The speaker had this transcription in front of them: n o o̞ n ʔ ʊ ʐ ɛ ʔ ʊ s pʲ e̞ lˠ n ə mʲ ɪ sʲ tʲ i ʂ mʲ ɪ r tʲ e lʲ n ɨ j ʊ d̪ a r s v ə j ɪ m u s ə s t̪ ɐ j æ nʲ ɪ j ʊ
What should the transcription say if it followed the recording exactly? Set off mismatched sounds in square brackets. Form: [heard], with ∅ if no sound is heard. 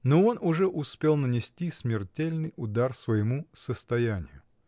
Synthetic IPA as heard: n o o̞ n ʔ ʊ ʐ ɛ ʔ ʊ s pʲ e̞ lˠ n ə [nʲ] ɪ sʲ tʲ i [s] mʲ ɪ r tʲ e lʲ n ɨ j ʊ d̪ a r s v ə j ɪ m u s ə s t̪ ɐ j æ nʲ ɪ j ʊ